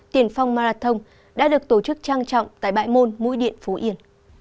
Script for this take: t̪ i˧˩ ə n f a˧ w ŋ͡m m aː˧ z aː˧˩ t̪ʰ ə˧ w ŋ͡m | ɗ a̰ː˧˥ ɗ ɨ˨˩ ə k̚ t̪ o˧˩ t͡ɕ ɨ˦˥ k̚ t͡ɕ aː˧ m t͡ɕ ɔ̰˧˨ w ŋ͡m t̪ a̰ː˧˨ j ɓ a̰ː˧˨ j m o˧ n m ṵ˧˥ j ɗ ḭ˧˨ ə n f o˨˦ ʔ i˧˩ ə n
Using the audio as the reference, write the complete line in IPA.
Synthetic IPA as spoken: t̪ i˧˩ ə n f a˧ w ŋ͡m m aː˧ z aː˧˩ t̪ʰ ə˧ w ŋ͡m | ɗ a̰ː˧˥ ɗ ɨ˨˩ ə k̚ t̪ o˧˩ t͡ɕ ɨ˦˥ k̚ t͡ɕ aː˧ ŋ t͡ɕ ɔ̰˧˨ w ŋ͡m t̪ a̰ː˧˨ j ɓ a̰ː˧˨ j m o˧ n m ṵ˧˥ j ɗ ḭ˧˨ ə n f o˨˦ ʔ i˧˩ ə n

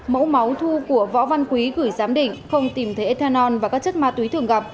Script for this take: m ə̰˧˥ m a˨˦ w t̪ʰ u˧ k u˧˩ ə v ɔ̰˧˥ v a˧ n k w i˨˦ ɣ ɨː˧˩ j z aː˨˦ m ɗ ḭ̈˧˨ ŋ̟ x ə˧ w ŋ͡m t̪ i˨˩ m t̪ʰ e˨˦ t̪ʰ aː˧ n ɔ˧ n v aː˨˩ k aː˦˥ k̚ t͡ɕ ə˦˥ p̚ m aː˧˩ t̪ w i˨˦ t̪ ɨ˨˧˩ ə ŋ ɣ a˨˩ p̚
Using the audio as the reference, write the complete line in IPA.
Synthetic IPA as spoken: m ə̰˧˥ m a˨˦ w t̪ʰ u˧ k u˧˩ ə v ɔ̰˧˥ v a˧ n k w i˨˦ ɣ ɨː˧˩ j z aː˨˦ m ɗ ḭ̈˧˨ ŋ̟ x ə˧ w ŋ͡m t̪ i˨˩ m t̪ʰ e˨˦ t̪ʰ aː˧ n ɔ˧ n v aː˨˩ k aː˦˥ k̚ t͡ɕ ə˦˥ t̚ m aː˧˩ t̪ w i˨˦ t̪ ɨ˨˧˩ ə ŋ ɣ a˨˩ p̚

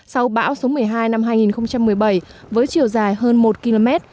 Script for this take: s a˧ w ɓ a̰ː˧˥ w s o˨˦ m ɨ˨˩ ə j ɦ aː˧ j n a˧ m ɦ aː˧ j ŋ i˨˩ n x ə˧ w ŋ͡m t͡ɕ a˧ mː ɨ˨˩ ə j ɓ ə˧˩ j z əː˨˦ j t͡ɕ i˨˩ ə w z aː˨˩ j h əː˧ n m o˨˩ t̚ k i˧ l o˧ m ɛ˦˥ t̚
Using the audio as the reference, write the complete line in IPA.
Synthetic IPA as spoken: s a˧ w ɓ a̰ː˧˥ w s o˨˦ m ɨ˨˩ ə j ɦ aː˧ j n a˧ m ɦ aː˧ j ŋ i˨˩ n x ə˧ w ŋ͡m t͡ɕ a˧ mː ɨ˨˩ ə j ɓ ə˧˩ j v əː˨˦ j t͡ɕ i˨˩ ə w z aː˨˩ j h əː˧ n m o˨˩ t̚ k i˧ l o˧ m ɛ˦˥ t̚

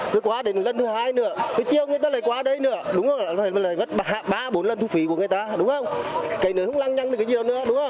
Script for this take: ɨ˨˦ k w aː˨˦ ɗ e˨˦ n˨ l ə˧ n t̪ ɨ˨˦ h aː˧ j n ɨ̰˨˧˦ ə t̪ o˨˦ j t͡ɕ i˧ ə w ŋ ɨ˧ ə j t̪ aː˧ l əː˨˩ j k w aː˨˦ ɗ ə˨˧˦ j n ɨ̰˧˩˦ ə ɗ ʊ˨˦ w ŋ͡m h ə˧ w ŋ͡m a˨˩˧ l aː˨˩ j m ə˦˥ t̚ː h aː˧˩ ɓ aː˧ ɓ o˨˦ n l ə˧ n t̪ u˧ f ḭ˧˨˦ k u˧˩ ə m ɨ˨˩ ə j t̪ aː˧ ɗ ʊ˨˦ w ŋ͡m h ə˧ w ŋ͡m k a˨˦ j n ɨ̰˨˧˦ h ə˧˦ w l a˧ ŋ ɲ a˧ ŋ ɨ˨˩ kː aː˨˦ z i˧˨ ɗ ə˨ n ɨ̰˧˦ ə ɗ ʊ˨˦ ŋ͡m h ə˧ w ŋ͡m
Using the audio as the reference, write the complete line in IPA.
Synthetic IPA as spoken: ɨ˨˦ k w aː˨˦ ɗ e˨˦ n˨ l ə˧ n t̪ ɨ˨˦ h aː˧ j n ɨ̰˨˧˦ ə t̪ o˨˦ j t͡ɕ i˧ ə w ŋ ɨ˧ ə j t̪ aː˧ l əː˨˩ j k w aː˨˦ ɗ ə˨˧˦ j n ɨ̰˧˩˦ ə ɗ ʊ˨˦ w ŋ͡m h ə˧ w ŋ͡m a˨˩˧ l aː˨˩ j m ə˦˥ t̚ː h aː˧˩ ɓ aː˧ ɓ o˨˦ n l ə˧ n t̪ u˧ f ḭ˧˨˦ k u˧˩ ə ŋ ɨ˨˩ ə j t̪ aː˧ ɗ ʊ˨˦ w ŋ͡m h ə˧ w ŋ͡m k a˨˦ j n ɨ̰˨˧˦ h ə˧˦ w l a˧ ŋ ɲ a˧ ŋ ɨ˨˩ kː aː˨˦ z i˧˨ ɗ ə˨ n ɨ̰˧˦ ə ɗ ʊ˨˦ ŋ͡m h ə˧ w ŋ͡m

